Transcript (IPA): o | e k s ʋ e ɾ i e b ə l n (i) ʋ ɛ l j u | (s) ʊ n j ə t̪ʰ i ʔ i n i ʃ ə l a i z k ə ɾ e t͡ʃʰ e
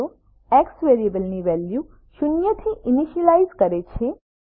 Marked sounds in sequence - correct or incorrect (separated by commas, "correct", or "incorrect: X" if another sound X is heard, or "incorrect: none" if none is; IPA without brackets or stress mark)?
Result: correct, incorrect: ʃ